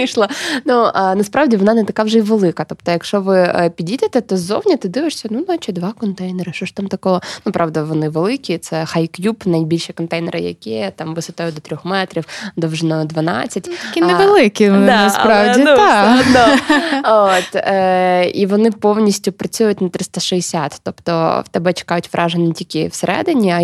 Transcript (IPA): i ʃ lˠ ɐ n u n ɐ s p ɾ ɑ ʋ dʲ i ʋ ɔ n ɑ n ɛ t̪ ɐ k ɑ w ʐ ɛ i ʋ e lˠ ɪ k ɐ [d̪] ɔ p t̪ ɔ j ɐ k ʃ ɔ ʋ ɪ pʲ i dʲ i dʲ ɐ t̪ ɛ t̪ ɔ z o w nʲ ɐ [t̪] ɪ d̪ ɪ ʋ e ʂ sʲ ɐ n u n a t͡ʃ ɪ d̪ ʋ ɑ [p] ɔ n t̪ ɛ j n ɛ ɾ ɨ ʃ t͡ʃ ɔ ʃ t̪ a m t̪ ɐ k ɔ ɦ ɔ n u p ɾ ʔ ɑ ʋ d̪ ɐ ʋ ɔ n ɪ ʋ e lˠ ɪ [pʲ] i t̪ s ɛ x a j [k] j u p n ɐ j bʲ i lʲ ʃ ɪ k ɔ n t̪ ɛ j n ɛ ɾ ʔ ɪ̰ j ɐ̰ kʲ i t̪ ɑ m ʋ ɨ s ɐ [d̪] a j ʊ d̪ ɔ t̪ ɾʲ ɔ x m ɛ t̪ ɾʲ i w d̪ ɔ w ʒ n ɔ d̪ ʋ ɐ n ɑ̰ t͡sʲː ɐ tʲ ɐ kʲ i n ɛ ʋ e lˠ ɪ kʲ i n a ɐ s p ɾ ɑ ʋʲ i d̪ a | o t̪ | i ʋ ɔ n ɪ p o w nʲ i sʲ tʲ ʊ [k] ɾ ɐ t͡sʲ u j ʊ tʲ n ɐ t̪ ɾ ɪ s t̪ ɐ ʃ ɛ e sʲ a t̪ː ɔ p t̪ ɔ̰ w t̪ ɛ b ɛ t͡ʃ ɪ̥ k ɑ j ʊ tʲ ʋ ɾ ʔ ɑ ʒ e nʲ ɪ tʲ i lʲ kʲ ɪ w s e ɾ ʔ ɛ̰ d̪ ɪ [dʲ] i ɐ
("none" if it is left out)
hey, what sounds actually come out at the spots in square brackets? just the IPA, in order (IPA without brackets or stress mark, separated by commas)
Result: t̪, t̪, k, kʲ, k, t̪, p, nʲ